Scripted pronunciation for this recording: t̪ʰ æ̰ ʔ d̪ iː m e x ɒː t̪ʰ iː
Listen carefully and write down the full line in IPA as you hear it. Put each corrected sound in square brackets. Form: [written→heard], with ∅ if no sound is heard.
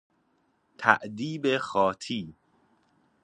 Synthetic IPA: t̪ʰ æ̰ ʔ d̪ iː [m→b] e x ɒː t̪ʰ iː